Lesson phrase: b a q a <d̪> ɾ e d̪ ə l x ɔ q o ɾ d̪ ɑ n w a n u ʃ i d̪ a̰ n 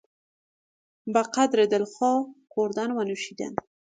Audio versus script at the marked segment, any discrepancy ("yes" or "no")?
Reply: no